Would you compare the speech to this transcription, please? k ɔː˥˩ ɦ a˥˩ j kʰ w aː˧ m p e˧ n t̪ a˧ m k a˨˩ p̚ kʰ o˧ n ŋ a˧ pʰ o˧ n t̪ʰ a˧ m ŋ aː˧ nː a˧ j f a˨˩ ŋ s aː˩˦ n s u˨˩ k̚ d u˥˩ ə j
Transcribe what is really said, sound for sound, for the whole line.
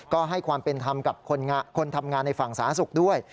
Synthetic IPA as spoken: k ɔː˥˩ ɦ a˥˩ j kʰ w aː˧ m p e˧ n t̪ʰ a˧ m k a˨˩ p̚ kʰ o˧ n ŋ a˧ kʰ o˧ n t̪ʰ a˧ m ŋ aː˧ nː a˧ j f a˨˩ ŋ s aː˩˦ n s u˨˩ k̚ d u˥˩ ə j

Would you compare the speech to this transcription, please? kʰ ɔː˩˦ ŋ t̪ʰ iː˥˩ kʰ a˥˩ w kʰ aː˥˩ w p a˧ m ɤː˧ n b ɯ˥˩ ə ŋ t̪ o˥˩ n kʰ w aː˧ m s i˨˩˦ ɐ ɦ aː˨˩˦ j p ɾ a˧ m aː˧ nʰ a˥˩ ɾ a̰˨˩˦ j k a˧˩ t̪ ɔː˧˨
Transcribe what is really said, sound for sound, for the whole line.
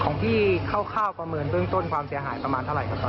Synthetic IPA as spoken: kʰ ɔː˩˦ ŋ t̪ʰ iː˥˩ kʰ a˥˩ w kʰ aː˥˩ w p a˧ m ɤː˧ n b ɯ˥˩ ə ŋ t̪ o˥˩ n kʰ w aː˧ m s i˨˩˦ ɐ ɦ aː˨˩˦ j p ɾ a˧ m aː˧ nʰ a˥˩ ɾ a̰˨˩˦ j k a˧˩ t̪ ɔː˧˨

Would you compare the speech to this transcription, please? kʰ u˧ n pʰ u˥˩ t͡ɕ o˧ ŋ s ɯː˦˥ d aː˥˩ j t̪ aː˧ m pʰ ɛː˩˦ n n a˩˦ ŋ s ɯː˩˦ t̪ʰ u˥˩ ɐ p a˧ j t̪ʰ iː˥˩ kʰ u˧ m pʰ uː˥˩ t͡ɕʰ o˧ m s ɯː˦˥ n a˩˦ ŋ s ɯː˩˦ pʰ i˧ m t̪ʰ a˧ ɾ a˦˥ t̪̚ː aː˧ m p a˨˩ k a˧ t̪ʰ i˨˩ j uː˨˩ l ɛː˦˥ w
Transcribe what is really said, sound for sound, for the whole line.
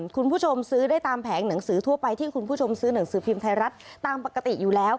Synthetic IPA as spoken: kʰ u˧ n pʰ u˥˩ t͡ɕʰ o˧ m s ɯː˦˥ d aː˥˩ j t̪ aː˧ m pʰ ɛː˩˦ ŋ n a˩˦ ŋ s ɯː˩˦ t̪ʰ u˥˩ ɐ p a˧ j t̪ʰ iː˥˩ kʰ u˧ n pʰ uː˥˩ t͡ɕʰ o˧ m s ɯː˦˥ n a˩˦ ŋ s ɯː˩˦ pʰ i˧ m t̪ʰ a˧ ɾ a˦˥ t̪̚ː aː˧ m p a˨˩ k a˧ t̪ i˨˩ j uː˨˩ l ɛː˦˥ w

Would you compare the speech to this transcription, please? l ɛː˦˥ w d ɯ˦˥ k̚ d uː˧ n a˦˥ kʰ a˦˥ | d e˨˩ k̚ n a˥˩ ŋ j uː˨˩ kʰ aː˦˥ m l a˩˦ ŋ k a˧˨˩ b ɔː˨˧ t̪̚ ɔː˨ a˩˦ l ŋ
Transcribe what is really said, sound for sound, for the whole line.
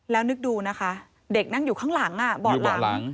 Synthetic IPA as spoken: l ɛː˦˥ w n ɯ˦˥ k̚ d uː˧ n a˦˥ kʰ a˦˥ | d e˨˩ k̚ n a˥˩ ŋ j uː˨˩ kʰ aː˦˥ ŋ l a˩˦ ŋ ʔ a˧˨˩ b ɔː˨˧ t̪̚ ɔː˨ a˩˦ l ŋ

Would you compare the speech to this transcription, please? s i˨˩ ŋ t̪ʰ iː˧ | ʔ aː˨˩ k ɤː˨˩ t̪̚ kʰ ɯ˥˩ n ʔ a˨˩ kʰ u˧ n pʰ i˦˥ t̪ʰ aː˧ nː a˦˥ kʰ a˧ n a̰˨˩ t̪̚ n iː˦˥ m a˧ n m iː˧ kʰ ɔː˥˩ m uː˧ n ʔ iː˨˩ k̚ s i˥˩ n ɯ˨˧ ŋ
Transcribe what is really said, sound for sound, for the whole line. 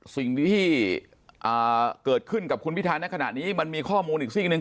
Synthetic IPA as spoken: s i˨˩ ŋ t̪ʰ iː˥˩ | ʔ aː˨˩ k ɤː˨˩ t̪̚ kʰ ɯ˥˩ n k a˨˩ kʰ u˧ n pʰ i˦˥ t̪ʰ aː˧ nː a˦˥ kʰ a˧ n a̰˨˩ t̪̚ n iː˦˥ m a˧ n m iː˧ kʰ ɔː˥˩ m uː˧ n ʔ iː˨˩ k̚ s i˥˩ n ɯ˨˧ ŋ

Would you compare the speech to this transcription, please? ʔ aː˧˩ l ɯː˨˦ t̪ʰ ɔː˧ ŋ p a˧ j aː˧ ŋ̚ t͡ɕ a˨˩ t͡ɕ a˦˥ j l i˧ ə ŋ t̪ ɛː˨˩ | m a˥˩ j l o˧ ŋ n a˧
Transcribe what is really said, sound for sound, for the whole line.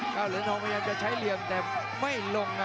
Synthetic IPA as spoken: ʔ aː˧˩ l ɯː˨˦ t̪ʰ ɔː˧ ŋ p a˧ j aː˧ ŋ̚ t͡ɕ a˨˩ t͡ɕʰ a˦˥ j l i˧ ə m t̪ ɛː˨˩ | m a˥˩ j l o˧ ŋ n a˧

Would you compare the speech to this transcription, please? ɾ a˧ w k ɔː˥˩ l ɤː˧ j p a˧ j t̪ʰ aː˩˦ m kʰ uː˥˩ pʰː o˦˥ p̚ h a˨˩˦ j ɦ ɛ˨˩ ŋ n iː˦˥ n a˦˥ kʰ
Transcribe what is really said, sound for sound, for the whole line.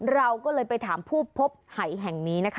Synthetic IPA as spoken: ɾ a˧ w k ɔː˥˩ l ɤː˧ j p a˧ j t̪ʰ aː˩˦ m pʰ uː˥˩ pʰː o˦˥ p̚ h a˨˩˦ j ɦ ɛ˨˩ ŋ n iː˦˥ n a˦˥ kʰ

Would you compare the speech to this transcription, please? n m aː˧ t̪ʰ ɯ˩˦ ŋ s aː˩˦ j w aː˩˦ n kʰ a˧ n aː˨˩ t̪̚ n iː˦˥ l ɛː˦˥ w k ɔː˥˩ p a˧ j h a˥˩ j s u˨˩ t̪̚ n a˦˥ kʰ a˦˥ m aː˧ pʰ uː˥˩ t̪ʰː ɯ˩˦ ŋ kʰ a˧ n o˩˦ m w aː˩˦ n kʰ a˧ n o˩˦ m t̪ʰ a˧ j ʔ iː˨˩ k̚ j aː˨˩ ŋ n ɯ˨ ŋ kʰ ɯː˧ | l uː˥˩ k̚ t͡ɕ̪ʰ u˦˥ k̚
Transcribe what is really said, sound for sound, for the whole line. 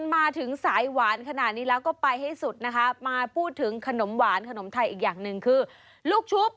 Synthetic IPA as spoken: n m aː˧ t̪ʰ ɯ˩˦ ŋ s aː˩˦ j w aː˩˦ n kʰ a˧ n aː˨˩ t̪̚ n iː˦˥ l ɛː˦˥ w k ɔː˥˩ p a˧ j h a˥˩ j s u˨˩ t̪̚ n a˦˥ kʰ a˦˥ m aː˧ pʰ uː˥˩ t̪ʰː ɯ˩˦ ŋ kʰ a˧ n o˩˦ m w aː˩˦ n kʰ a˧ n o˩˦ m t̪ʰ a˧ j ʔ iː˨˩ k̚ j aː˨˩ ŋ n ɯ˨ ŋ kʰ ɯː˧ | l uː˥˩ k̚ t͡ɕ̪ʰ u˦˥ p̚

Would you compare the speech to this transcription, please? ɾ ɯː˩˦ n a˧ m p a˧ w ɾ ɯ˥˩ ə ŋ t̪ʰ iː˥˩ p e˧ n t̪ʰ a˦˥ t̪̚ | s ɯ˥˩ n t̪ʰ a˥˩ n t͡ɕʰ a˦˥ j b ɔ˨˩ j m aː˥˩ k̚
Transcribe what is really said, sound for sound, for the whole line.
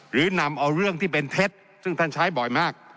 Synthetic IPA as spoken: ɾ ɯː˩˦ n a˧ m ʔ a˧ w ɾ ɯ˥˩ ə ŋ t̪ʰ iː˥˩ p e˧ n t̪ʰ e˦˥ t̪̚ | s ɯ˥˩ ŋ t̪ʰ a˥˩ n t͡ɕʰ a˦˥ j b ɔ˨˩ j m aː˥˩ k̚

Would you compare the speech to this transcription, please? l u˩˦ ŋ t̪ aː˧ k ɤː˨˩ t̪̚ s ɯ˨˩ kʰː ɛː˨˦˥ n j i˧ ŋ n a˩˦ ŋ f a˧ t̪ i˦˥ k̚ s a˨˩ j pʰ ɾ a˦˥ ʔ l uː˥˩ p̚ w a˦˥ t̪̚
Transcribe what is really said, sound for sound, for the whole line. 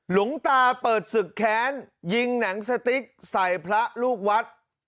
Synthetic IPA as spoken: l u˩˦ ŋ t̪ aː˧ p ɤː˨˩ t̪̚ s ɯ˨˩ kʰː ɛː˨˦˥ n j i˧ ŋ n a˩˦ ŋ s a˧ t̪ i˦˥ k̚ s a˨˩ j pʰ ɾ a˦˥ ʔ l uː˥˩ k̚ w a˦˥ t̪̚

